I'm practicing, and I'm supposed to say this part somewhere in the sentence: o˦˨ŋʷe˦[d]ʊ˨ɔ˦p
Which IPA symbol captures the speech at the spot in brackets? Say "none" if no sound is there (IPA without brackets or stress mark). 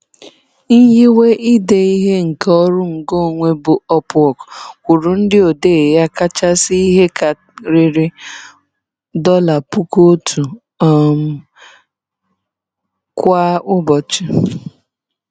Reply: b